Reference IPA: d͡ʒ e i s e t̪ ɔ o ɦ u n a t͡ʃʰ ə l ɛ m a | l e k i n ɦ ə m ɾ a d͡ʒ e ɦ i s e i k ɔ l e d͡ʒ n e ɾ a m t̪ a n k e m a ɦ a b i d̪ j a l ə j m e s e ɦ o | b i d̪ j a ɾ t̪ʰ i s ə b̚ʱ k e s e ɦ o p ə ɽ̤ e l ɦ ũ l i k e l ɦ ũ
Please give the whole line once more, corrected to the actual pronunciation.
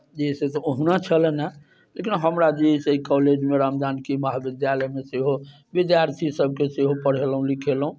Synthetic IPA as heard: d͡ʒ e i s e t̪ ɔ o ɦ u n a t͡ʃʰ ə l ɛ n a | l e k i n ɦ ə m ɾ a d͡ʒ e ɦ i s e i k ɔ l e d͡ʒ m e ɾ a m d̪ a n k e m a ɦ a b i d̪ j a l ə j m e s e ɦ o | b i d̪ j a ɾ t̪ʰ i s ə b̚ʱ k e s e ɦ o p ə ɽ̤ e l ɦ ũ l i kʰ e l ɦ ũ